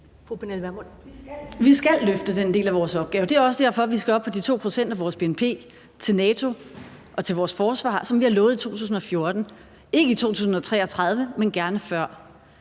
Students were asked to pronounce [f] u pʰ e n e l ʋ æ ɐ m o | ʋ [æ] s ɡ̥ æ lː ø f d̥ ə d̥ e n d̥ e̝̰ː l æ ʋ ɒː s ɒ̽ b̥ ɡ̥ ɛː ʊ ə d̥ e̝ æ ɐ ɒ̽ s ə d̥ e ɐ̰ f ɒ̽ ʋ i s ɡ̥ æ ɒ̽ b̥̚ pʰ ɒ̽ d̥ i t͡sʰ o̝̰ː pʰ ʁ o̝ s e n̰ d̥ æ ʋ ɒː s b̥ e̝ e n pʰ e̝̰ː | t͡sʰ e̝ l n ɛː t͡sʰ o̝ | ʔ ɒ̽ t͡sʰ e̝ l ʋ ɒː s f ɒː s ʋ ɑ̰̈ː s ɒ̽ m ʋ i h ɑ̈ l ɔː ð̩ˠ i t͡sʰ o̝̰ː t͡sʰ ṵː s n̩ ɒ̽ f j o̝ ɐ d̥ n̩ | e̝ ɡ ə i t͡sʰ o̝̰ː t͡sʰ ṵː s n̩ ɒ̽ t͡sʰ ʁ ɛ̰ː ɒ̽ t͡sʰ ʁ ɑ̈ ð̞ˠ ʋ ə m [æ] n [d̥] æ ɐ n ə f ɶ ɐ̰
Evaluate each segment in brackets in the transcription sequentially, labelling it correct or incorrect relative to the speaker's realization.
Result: correct, incorrect, incorrect, incorrect

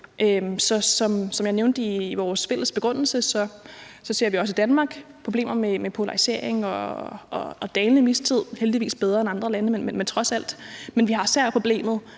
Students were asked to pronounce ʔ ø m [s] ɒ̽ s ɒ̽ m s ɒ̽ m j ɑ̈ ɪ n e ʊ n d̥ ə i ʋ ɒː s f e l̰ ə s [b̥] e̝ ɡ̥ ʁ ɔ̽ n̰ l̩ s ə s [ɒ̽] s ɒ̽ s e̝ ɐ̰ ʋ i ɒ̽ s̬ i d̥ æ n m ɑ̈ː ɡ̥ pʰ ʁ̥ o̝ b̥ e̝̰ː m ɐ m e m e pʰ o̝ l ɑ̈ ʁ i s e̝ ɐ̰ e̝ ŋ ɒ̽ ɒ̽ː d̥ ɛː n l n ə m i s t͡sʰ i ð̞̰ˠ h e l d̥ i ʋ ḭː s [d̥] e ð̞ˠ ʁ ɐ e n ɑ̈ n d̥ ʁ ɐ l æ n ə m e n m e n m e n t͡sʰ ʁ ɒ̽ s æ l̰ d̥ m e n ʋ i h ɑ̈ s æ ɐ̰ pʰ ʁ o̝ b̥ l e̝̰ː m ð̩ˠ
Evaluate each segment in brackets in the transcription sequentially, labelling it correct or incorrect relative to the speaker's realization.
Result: correct, correct, correct, incorrect

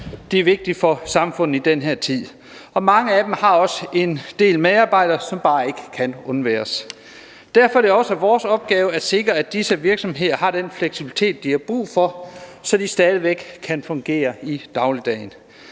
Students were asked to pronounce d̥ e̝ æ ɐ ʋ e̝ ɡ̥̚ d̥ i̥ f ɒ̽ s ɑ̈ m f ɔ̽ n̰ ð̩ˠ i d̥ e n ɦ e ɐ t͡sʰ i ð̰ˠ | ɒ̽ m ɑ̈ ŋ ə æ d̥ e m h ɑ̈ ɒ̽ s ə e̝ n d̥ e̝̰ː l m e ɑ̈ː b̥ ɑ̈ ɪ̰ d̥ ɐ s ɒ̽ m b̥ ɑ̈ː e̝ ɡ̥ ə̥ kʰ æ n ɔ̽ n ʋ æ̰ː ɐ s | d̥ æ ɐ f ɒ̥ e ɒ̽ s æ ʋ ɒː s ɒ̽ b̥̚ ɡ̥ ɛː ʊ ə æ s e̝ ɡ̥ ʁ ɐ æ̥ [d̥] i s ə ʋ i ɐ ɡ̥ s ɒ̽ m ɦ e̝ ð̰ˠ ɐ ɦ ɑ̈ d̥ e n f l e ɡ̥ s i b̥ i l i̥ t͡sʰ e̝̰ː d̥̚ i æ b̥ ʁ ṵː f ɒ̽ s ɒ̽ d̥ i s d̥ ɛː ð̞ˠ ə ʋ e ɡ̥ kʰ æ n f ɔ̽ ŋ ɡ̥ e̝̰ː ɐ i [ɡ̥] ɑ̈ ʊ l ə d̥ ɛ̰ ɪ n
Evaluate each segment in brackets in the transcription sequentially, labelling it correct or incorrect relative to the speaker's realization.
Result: correct, incorrect

